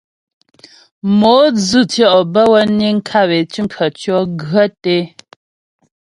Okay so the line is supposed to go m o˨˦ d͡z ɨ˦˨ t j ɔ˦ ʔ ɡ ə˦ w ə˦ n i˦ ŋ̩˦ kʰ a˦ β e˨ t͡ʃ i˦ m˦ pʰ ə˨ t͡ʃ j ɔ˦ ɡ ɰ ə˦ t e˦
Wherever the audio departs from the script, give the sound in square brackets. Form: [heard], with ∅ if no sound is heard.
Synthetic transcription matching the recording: m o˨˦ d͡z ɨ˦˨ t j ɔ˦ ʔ [b] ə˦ w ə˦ n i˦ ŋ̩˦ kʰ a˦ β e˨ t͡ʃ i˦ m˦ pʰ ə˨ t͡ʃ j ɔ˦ ɡ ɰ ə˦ t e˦

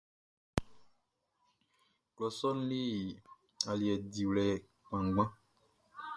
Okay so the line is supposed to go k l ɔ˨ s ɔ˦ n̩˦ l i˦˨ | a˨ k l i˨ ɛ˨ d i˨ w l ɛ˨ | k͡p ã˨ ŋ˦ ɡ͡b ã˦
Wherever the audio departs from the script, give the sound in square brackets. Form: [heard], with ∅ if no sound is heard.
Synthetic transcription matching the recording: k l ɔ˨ s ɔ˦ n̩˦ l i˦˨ | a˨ [∅] l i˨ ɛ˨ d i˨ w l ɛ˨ | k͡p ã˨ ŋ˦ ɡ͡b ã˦

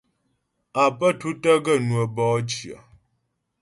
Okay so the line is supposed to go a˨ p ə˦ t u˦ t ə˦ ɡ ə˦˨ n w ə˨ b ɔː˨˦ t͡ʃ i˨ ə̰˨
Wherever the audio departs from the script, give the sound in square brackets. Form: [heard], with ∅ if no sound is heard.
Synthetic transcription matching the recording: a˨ p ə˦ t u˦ t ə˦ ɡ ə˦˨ n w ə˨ b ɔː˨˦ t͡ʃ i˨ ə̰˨

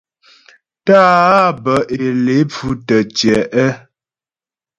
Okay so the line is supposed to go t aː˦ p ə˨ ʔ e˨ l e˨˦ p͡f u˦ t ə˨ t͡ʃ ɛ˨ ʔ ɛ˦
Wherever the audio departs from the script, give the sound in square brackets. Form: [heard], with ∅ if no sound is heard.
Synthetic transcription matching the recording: t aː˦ [b] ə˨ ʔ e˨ l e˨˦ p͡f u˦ t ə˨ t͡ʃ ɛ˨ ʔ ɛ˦

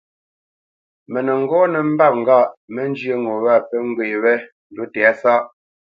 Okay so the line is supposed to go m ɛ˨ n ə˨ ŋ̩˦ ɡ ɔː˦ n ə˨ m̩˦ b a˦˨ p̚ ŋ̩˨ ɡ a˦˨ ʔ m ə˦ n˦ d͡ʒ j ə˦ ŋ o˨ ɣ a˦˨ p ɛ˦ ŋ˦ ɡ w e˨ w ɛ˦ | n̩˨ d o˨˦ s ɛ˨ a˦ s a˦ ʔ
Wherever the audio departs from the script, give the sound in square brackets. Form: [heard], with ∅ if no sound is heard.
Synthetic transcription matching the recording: m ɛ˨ n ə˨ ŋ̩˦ ɡ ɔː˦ n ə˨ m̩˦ b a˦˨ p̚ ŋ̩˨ ɡ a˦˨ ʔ m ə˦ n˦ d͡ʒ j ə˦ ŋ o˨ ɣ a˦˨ p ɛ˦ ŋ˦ ɡ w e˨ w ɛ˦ | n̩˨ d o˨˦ [t] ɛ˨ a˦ s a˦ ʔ

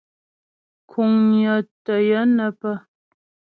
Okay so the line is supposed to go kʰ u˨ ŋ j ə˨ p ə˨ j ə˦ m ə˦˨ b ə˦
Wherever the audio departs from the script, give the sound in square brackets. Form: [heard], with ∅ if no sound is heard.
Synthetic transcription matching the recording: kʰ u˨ ŋ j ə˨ [t] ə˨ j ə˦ [n] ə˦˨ [p] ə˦

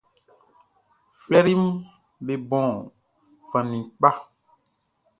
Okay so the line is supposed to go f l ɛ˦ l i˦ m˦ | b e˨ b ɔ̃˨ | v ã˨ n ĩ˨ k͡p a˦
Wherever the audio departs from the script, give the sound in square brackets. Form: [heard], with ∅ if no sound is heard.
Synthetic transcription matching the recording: f l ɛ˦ [ɾ] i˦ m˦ | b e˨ b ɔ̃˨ | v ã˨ n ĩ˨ k͡p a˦

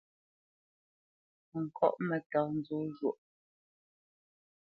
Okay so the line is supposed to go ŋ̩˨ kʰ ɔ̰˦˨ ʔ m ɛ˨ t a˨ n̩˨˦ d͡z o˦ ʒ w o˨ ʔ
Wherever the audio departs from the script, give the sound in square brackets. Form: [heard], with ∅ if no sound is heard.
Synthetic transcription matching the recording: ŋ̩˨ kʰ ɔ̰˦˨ ʔ m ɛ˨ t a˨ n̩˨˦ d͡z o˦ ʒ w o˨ ʔ

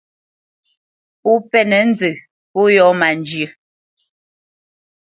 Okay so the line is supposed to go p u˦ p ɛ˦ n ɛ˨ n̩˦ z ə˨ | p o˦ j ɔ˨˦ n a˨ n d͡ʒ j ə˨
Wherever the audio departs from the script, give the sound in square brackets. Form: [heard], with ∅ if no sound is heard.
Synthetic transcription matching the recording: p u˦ p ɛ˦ n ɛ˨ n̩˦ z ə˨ | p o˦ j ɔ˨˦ [m] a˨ n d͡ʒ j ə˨

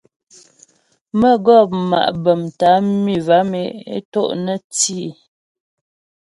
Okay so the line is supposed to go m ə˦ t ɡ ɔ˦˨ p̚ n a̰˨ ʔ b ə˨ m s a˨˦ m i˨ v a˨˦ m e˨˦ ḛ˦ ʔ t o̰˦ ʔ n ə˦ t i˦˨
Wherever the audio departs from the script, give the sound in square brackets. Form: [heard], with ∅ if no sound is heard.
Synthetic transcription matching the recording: m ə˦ [∅] ɡ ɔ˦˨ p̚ [m] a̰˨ ʔ b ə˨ m [t] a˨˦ m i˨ v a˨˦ m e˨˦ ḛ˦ [∅] t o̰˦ ʔ n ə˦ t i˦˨

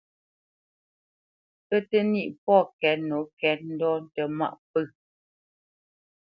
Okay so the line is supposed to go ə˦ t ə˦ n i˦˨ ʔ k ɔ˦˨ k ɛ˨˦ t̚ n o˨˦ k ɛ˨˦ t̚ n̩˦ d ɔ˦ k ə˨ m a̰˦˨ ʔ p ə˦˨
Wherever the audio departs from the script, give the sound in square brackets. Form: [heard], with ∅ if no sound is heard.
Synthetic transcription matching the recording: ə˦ t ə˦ n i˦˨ ʔ [p] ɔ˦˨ k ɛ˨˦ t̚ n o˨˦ k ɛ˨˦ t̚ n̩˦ d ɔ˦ [t] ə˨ m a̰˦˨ ʔ p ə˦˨

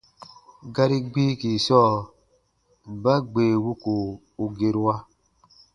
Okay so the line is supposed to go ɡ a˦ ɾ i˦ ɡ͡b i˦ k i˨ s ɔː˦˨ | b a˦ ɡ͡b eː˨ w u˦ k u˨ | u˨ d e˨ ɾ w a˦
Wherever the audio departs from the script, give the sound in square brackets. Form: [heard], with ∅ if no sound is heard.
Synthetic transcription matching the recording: ɡ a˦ ɾ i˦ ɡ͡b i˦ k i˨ s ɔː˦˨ | b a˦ ɡ͡b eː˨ w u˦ k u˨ | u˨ [ɡ] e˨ ɾ w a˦

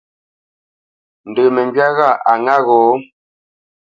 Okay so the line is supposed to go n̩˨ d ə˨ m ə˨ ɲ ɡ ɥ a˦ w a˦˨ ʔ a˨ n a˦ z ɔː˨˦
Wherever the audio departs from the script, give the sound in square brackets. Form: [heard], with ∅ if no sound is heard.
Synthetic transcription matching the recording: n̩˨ d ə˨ m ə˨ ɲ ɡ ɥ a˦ [ɣ] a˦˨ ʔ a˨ [ŋ] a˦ [ɣ] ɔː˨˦

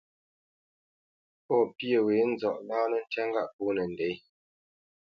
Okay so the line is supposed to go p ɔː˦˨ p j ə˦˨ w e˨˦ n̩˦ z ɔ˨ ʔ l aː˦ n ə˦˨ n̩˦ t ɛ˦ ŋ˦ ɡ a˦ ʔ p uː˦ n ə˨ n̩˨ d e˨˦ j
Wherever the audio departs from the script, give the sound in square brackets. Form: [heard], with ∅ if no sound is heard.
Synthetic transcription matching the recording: p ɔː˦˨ p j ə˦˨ w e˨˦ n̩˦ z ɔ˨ ʔ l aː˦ n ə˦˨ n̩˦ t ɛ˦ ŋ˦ ɡ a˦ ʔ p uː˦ n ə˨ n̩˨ d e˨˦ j

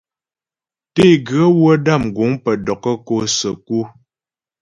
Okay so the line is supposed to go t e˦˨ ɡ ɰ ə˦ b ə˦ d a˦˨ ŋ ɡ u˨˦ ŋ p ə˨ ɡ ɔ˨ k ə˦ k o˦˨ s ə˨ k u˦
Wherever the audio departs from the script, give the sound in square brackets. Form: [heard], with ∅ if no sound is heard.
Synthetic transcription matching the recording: t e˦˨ ɡ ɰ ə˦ [w] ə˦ d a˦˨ [m] ɡ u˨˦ ŋ p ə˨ [d] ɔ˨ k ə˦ k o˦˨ s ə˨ k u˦

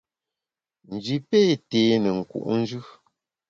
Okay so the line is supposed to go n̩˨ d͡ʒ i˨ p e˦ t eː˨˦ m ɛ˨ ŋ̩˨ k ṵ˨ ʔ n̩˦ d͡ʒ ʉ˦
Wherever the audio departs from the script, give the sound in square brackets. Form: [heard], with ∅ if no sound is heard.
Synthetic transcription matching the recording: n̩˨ d͡ʒ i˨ p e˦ t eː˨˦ [n] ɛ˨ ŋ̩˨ k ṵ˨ ʔ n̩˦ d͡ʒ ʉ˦

